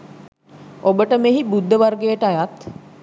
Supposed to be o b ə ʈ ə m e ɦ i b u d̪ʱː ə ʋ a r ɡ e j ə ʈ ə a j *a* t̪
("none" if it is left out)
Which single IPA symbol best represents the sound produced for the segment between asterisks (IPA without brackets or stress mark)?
a